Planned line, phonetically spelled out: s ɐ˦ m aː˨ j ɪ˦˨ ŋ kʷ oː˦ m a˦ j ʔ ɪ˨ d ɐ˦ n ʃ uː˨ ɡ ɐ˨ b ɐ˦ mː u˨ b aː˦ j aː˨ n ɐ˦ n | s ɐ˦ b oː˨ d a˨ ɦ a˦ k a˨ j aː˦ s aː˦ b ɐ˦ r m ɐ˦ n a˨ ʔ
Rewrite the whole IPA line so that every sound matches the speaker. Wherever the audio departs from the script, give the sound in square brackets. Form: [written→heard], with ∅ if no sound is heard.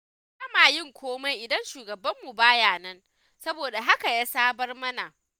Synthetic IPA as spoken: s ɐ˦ m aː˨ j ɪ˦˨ ŋ kʷ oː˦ m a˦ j ʔ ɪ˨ d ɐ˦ n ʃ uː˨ ɡ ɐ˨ b ɐ˦ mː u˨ b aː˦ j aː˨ n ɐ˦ n | s ɐ˦ b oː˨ d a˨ ɦ a˦ k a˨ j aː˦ s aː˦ b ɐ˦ r m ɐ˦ n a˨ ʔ